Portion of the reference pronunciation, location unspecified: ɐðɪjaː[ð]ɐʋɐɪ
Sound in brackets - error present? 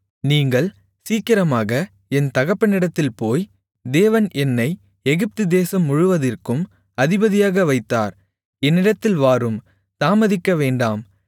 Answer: yes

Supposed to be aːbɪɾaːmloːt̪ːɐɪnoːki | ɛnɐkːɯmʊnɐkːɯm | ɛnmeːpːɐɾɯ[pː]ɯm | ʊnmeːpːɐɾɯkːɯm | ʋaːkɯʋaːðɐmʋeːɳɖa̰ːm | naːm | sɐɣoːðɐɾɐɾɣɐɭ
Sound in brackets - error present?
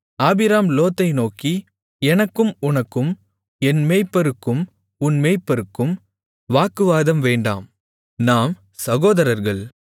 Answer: yes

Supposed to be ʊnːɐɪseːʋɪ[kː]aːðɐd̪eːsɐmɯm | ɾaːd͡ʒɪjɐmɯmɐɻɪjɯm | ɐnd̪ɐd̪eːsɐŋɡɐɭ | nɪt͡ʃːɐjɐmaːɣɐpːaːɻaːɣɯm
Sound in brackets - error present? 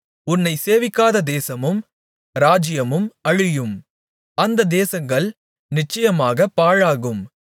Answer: no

